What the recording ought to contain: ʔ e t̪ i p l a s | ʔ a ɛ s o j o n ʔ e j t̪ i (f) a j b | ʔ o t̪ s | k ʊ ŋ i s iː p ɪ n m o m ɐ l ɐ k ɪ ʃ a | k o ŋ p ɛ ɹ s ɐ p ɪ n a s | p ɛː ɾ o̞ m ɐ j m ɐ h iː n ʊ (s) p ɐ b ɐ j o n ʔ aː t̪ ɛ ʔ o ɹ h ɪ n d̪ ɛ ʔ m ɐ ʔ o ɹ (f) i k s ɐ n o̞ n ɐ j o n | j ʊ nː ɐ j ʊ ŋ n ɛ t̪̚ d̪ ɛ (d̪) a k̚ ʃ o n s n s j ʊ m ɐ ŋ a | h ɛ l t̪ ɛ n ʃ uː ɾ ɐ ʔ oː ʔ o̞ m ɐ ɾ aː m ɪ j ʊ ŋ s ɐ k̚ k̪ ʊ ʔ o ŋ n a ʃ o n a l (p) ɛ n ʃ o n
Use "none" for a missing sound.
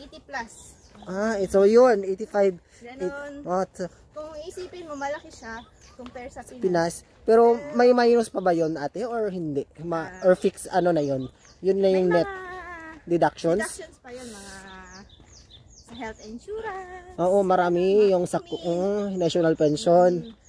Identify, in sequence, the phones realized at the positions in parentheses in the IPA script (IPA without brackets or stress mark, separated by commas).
f, s, f, d̪, p